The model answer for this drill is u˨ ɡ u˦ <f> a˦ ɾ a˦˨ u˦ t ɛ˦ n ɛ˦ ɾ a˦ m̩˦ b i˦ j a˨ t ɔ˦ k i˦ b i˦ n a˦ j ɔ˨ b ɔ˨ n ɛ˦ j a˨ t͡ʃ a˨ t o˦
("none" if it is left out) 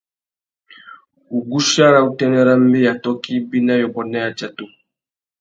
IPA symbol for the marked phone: ʃ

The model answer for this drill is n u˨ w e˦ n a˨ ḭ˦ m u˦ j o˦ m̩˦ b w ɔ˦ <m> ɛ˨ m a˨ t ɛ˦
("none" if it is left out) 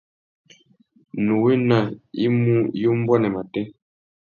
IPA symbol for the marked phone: n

